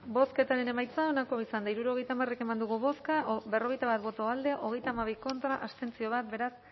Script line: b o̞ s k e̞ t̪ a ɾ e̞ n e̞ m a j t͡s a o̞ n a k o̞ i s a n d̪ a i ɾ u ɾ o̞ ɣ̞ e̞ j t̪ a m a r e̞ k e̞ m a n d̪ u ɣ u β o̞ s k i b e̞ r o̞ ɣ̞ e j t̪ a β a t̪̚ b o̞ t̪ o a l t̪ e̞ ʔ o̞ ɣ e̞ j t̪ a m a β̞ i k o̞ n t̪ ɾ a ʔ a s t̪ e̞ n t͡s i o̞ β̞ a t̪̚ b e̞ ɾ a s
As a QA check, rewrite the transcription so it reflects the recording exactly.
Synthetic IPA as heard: b o̞ s k e̞ t̪ a ɾ e̞ n e̞ m a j t͡s a o̞ n a k o̞ i s a n d̪ a i ɾ u ɾ o̞ ɣ̞ e̞ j t̪ a m a r e̞ k e̞ m a n d̪ u ɣ u β o̞ s k a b e̞ r o̞ ɣ̞ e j t̪ a β a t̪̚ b o̞ t̪ o a l d̪ e̞ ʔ o̞ ɣ e̞ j t̪ a m a β̞ i k o̞ n t̪ ɾ a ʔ a s t̪ e̞ n t͡s i o̞ β̞ a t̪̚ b e̞ ɾ a s